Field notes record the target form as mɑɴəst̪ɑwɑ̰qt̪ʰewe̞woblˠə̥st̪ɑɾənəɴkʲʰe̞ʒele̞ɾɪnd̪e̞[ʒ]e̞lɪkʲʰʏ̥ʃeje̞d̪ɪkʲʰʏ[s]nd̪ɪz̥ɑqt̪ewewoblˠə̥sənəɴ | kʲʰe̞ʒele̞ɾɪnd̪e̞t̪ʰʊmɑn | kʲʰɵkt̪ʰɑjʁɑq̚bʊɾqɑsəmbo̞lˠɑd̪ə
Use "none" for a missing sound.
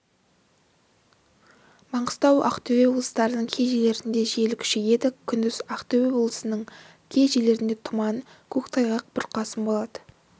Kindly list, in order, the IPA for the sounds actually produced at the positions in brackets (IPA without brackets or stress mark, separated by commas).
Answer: ʒ, none